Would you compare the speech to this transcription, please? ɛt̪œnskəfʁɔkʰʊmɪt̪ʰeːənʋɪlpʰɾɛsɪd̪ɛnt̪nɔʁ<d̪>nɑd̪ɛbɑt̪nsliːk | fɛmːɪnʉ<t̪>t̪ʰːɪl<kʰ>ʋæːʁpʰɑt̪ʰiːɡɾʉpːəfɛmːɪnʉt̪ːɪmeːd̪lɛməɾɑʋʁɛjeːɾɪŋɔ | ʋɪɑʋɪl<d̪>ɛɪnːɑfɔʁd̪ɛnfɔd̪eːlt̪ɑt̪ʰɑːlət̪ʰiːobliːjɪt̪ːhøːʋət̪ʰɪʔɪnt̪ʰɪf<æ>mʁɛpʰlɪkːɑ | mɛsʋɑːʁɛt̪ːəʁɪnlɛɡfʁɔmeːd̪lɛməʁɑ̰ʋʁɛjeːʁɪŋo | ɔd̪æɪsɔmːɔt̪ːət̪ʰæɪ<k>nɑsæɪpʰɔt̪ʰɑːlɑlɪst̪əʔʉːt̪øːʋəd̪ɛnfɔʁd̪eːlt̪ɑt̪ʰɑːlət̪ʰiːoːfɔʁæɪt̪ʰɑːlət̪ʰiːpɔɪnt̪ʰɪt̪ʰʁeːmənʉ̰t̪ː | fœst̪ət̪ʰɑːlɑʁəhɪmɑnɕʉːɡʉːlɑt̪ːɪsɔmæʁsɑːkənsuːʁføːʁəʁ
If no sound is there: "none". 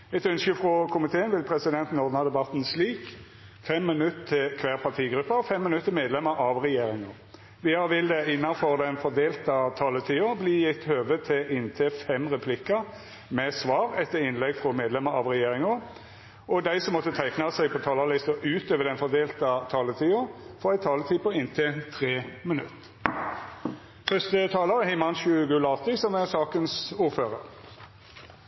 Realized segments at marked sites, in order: d̪, t̪, kʰ, d̪, ɛ, k

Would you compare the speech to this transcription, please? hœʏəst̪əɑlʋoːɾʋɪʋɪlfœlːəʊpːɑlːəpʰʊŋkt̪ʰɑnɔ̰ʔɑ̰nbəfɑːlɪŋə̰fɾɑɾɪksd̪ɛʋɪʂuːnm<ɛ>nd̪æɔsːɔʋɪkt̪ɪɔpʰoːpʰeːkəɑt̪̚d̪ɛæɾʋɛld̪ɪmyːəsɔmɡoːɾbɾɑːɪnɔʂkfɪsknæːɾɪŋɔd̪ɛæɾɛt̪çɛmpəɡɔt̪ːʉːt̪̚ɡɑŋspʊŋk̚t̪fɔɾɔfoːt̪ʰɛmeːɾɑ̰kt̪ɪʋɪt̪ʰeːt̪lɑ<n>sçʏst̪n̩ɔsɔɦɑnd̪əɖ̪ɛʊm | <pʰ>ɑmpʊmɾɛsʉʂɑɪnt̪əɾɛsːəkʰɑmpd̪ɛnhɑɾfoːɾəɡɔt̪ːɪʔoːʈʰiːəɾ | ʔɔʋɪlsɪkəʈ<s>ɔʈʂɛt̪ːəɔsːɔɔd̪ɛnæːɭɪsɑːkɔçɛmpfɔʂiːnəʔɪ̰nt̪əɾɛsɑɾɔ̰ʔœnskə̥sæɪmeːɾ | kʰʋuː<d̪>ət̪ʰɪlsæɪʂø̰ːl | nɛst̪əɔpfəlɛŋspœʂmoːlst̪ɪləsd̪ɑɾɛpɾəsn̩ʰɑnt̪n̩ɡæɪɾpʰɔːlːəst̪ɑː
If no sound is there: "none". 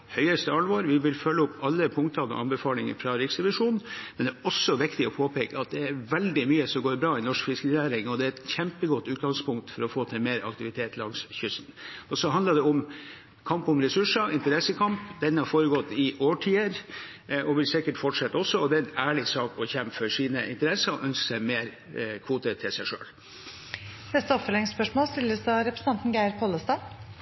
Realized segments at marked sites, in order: ɛ, ŋ, kʰ, f, t̪

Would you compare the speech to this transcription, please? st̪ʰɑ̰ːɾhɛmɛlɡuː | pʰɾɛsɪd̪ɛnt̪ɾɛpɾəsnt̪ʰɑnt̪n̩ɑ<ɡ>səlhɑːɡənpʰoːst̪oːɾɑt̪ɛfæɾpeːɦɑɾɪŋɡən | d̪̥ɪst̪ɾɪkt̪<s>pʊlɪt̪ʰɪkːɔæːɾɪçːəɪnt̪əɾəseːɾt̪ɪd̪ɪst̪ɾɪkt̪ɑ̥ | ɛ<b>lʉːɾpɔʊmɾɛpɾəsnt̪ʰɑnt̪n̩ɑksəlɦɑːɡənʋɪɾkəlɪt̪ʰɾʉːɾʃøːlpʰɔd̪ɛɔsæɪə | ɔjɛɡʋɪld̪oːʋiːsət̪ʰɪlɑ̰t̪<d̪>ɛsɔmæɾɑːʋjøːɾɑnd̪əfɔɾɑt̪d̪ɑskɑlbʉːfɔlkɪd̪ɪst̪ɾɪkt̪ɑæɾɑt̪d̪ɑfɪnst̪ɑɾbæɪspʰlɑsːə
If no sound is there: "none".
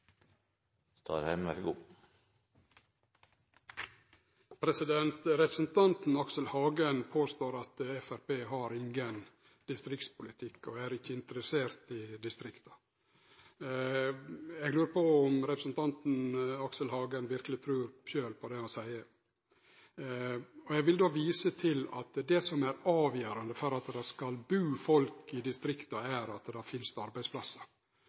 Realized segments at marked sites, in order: k, s, ɡ, d̪

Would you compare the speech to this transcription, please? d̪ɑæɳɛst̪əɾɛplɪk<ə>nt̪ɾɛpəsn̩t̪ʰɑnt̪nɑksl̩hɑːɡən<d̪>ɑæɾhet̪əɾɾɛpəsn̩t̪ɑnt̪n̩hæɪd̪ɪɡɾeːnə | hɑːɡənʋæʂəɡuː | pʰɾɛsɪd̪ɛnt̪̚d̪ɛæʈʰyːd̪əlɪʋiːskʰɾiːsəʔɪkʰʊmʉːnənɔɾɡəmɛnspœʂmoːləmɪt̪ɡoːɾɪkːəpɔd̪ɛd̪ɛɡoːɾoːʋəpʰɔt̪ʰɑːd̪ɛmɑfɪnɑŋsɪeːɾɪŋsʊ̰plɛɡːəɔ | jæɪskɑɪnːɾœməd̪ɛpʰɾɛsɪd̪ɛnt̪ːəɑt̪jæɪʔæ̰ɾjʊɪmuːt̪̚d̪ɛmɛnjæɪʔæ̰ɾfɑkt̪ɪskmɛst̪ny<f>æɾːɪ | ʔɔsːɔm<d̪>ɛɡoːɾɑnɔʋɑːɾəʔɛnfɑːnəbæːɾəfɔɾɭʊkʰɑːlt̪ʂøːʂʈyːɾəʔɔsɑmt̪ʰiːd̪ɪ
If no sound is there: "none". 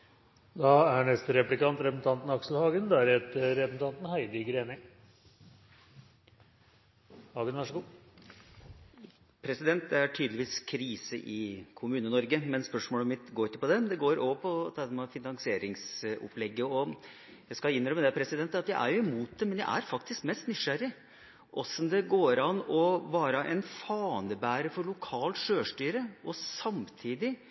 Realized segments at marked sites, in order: ɑ, d̪, ʂ, d̪

